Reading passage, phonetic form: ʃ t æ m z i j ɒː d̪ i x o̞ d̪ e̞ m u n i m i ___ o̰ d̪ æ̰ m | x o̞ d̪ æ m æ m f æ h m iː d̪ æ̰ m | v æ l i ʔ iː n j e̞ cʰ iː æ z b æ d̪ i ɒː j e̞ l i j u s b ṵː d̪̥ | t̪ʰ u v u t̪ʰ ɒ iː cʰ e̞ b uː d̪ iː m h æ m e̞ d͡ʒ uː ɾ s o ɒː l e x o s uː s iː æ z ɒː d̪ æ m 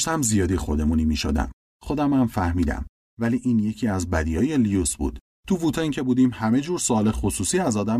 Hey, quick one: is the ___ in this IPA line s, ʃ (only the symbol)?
ʃ